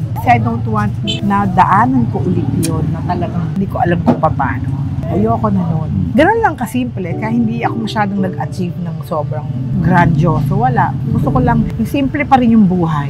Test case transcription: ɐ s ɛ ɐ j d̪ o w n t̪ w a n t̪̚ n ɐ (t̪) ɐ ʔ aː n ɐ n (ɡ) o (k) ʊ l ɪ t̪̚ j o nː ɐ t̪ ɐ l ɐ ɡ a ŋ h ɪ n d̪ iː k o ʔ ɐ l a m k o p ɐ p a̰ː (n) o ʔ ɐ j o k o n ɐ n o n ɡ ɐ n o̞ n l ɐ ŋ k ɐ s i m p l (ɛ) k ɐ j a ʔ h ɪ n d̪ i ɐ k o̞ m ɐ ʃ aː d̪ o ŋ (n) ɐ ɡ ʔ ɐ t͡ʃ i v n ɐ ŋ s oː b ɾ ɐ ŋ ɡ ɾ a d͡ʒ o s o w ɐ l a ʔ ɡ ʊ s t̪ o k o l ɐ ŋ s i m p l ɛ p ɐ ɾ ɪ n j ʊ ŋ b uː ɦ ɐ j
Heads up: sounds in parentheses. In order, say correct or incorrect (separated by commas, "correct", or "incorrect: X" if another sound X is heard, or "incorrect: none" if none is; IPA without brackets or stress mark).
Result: incorrect: d̪, incorrect: k, incorrect: ʔ, correct, correct, correct